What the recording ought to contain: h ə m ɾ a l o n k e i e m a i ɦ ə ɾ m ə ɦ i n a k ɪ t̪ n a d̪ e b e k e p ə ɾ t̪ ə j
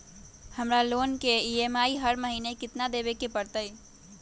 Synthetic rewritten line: h ə m ɾ a l o n k e i e m a i ɦ ə ɾ m ə ɦ i n e k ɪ t̪ n a d̪ e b e k e p ə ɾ t̪ ə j